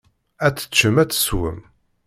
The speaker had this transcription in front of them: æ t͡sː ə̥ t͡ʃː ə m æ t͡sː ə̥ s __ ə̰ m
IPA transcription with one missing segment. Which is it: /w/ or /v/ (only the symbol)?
w